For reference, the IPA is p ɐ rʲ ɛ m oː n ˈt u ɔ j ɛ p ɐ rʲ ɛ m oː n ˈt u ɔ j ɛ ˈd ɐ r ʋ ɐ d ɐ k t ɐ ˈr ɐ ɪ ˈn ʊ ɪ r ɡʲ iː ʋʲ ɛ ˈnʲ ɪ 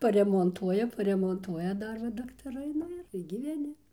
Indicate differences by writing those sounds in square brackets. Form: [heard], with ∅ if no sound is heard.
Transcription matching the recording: p ɐ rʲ ɛ m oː n ˈt u ɔ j ɛ p ɐ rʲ ɛ m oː n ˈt u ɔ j ɛ ˈd ɐ r ʋ ɐ d ɐ k t ɐ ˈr ɐ ɪ ˈn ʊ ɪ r ɡʲ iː ʋʲ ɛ ˈnʲ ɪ